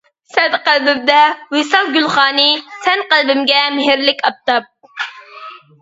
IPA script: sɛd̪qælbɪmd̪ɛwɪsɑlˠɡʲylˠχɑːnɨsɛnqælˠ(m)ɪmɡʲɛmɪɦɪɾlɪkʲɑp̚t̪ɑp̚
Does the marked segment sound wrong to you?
yes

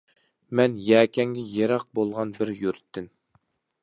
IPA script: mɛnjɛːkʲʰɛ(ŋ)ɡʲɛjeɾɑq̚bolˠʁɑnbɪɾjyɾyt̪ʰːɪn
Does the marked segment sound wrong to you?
no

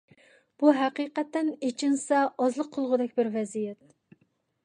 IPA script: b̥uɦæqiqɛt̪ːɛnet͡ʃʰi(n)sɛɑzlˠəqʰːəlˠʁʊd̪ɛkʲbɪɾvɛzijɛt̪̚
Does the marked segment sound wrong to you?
no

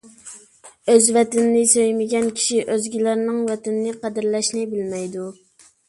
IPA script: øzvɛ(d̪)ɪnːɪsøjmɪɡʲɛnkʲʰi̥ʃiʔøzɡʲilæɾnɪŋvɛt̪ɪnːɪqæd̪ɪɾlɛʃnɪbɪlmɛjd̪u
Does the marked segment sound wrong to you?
yes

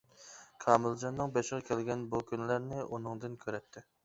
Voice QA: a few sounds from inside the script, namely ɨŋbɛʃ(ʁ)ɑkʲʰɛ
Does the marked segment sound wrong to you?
no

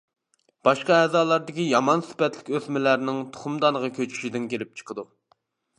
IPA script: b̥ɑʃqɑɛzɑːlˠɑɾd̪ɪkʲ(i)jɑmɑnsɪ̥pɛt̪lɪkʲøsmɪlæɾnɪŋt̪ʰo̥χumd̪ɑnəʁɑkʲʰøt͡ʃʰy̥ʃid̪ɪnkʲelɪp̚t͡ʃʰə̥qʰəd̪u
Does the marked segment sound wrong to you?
no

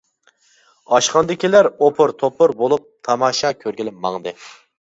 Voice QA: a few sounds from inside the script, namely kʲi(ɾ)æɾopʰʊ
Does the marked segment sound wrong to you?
yes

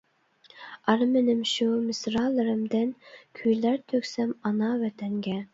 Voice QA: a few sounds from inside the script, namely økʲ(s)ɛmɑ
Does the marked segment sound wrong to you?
no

